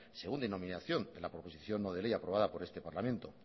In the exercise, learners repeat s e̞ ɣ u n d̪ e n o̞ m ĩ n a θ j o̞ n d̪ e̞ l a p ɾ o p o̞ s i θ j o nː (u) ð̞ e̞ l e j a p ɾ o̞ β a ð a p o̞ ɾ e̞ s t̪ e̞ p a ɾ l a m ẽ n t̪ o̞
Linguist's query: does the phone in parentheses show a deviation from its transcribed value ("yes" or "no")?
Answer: yes